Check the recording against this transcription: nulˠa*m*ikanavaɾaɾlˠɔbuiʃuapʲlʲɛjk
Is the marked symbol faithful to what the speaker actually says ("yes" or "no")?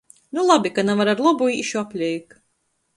no